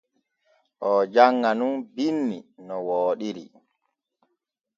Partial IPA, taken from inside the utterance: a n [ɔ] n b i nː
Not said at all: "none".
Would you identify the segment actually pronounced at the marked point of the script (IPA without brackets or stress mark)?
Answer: u